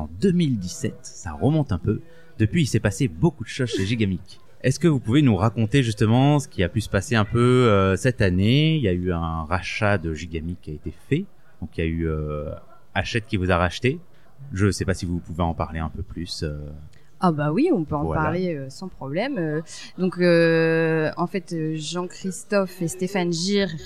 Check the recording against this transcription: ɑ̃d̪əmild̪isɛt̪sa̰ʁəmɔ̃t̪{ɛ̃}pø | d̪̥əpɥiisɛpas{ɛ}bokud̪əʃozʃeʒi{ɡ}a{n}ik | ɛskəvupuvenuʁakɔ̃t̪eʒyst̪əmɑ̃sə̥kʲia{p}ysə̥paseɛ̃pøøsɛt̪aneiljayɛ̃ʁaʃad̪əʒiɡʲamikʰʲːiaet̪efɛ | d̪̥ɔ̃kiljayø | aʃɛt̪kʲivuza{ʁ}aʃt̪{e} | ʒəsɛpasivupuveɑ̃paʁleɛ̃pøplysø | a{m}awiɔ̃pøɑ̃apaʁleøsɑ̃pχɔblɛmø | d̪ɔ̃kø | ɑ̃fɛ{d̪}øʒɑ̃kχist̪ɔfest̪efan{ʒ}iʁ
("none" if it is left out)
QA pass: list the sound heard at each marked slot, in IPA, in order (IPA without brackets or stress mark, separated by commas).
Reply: ɛ̃, e, ɡ, m, p, ʁ, e, b, t̪, ʒ